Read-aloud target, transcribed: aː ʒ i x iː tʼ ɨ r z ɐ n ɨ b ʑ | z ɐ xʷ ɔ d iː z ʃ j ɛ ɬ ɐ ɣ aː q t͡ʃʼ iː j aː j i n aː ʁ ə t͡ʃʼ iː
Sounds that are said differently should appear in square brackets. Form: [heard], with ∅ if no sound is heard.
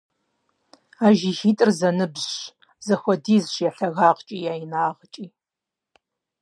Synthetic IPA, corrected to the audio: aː ʒ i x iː tʼ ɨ r z ɐ n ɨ b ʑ | z ɐ xʷ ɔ d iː z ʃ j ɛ ɬ ɐ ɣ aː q t͡ʃʼ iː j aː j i n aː ʁ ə t͡ʃʼ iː